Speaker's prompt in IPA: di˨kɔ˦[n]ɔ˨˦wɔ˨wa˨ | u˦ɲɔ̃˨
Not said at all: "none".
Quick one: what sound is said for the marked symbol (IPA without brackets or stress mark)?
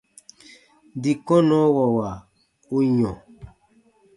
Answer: n